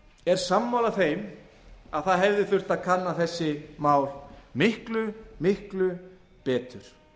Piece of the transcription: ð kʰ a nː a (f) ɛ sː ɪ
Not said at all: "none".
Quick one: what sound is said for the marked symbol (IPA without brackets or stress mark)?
θ